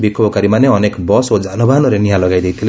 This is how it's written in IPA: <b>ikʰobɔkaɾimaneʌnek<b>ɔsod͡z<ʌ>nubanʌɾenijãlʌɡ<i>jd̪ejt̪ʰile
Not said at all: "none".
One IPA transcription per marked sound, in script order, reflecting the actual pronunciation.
b, b, a, a

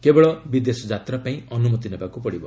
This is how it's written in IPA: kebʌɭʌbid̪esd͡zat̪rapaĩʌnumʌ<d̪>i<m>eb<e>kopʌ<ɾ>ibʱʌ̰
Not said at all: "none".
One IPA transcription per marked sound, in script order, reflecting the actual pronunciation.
t̪, n, a, ɽ

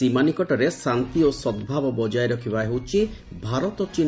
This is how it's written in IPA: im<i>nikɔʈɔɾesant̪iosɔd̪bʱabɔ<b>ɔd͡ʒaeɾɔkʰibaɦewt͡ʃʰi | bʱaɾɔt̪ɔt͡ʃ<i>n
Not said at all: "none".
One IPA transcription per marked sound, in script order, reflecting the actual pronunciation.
a, b, i

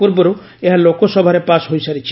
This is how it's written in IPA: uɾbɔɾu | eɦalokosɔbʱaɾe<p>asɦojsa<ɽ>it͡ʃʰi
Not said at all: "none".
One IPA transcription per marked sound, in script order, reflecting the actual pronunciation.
p, ɾ

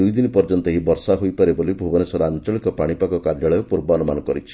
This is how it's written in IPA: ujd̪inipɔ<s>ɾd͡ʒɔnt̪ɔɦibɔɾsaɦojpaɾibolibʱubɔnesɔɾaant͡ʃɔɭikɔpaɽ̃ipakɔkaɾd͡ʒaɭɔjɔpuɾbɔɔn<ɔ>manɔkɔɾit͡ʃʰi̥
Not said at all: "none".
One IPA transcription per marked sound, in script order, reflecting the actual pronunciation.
none, u

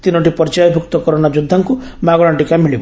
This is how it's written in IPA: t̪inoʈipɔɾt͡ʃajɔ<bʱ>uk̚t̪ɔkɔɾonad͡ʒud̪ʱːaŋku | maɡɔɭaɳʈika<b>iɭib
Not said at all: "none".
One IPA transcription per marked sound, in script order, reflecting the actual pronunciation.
bʱ, m

